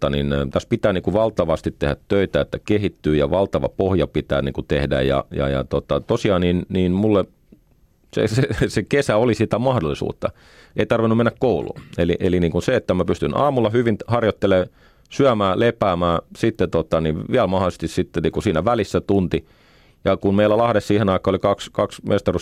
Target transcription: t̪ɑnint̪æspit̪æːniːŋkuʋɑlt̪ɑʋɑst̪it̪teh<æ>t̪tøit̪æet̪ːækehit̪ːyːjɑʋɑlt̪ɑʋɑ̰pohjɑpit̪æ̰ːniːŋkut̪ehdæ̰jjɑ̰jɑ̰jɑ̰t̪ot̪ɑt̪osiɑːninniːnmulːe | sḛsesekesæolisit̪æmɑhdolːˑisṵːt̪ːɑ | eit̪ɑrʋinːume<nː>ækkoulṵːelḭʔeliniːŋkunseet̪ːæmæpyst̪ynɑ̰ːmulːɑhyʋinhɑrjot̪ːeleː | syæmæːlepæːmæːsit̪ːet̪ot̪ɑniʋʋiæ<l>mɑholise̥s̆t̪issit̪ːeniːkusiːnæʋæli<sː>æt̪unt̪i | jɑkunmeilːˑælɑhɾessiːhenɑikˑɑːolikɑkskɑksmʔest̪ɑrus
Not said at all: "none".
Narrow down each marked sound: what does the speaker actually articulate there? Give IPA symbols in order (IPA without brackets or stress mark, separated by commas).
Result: æ, nː, l, sː